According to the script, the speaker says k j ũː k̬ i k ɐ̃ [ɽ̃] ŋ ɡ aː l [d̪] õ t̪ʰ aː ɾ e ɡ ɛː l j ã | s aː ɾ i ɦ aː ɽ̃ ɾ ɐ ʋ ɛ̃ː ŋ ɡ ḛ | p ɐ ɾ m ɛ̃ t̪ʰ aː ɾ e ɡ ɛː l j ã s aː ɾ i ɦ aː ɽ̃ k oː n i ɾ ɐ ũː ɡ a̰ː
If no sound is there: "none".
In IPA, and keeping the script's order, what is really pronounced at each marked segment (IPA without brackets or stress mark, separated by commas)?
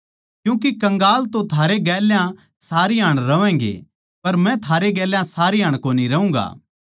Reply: none, t̪